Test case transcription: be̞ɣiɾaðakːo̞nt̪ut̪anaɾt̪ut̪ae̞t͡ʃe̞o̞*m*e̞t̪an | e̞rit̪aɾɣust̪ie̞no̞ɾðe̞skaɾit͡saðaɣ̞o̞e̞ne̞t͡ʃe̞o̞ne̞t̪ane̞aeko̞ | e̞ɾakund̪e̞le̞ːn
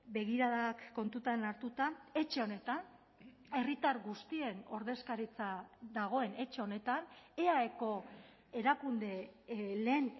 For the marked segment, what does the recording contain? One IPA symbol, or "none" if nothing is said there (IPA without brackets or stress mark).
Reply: n